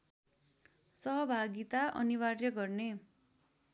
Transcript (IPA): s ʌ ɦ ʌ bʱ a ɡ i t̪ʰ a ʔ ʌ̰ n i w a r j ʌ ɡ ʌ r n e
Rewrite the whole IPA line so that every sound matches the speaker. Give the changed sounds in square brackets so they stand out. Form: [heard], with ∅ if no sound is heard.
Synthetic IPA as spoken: s ʌ ɦ ʌ bʱ a ɡ i [t̪] a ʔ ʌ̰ n i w a r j ʌ ɡ ʌ r n e

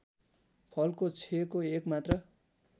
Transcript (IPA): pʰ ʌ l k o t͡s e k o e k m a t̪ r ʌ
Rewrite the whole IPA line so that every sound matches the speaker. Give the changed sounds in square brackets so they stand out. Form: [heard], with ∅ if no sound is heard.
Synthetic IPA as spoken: pʰ ʌ l k o [t͡sʰ] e k o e k m a t̪ r ʌ

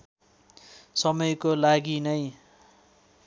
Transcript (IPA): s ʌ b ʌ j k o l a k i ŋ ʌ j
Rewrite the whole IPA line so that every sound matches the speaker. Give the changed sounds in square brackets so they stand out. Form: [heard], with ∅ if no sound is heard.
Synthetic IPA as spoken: s ʌ [m] ʌ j k o l a [ɡ] i [n] ʌ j

